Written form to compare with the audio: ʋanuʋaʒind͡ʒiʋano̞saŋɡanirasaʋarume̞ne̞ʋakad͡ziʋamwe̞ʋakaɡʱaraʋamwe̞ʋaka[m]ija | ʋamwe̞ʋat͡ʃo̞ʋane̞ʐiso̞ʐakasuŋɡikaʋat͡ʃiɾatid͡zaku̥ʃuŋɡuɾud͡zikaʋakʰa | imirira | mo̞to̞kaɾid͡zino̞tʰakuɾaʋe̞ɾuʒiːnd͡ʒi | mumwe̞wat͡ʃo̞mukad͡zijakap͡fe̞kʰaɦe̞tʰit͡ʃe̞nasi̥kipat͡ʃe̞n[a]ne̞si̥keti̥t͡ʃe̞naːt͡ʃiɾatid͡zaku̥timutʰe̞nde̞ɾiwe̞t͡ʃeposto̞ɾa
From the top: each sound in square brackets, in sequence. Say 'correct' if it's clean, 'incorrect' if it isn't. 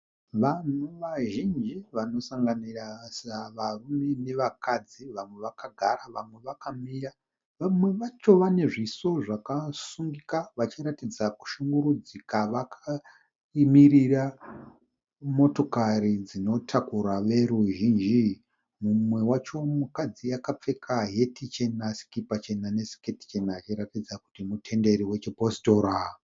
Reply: correct, correct

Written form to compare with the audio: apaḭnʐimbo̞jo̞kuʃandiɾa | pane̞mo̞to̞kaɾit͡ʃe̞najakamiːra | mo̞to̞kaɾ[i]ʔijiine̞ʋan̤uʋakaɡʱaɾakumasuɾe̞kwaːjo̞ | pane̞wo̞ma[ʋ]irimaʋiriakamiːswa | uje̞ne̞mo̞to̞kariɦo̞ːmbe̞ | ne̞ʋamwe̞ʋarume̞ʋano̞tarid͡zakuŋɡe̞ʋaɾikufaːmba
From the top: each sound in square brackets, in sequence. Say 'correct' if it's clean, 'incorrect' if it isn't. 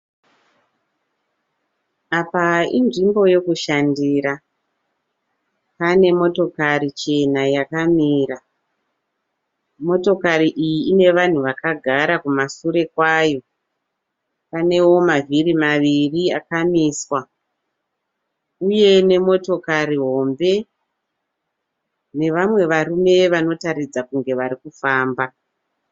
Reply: correct, incorrect

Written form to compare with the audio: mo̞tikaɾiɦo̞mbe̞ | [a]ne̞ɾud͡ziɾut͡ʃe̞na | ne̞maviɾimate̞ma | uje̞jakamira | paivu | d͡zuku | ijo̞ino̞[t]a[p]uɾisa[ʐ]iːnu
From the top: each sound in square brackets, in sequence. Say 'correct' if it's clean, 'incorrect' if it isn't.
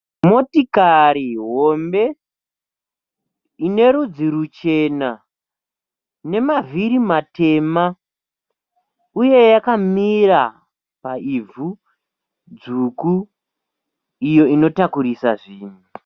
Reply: incorrect, correct, incorrect, correct

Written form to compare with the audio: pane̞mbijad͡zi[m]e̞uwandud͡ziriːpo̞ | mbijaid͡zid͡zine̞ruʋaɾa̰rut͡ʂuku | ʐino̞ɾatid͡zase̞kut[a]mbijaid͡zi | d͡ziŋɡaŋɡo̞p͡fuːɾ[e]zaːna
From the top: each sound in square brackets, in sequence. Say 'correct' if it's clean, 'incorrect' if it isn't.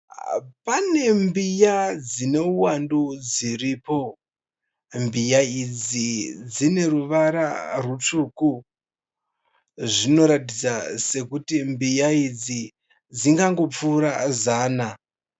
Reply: incorrect, incorrect, incorrect

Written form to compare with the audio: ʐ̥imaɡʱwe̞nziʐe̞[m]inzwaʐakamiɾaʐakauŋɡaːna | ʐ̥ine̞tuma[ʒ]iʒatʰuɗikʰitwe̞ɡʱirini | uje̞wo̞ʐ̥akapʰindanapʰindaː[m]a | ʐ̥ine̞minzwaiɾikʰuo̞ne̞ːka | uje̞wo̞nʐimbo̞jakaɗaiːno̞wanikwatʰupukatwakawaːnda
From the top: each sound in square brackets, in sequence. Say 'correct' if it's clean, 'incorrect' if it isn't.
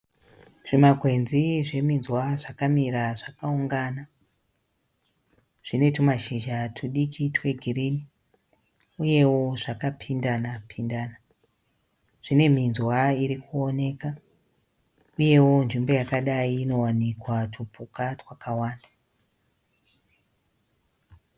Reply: correct, incorrect, incorrect

